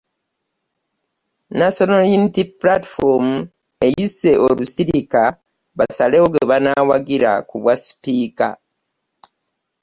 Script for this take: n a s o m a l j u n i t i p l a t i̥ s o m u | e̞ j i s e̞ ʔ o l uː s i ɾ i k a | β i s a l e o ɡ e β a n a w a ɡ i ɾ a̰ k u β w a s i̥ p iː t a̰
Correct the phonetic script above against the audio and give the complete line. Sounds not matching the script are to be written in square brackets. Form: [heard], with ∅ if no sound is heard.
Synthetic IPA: n a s o [n] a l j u n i t i p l a t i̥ [f] o m u | e̞ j i s e̞ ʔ o l [u] s i ɾ i k a | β [a] s a l e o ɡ e β a n a w a ɡ i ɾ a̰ k u β w a s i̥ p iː [k] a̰